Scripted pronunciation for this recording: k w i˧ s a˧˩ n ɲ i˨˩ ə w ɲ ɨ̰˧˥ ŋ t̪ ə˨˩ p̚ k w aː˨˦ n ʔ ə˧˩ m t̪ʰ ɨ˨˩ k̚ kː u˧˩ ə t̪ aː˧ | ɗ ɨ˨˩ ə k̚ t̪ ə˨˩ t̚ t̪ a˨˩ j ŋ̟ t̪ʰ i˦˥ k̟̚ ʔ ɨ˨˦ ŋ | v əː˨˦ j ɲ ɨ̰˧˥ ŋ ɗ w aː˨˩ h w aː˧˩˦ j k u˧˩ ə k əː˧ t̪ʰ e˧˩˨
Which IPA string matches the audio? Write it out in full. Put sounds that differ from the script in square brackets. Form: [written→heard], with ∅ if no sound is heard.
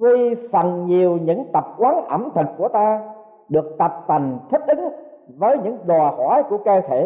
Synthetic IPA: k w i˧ [s→f] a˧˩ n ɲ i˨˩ ə w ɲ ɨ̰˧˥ ŋ t̪ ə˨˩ p̚ k w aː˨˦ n ʔ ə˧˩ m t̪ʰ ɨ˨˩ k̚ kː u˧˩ ə t̪ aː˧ | ɗ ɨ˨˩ ə k̚ t̪ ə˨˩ [t̚→p̚] t̪ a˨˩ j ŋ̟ t̪ʰ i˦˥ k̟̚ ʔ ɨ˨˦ ŋ | v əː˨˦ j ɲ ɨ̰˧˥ ŋ ɗ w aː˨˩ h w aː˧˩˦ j k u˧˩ ə k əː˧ t̪ʰ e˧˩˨